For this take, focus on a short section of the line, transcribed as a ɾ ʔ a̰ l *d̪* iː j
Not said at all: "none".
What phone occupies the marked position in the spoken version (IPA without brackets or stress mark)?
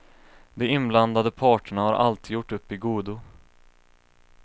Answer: t̪